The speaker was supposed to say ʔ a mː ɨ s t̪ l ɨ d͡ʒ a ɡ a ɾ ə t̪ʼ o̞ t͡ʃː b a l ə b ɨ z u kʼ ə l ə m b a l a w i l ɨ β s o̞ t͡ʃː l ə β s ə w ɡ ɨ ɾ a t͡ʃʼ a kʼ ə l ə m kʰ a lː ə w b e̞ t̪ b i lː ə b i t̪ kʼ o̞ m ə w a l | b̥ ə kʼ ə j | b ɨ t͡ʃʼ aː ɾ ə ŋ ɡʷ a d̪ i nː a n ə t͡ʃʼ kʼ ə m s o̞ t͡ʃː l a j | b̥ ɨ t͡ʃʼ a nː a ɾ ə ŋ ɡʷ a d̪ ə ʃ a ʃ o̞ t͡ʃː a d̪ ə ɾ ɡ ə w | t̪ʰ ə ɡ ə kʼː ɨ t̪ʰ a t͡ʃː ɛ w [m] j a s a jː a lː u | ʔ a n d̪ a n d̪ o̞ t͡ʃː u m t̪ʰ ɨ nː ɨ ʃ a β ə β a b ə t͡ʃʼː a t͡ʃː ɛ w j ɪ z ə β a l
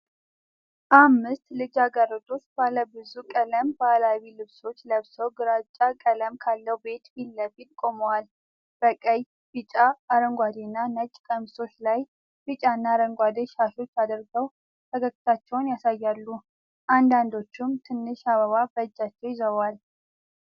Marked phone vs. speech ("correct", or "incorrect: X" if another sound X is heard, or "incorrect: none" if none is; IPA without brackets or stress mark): incorrect: n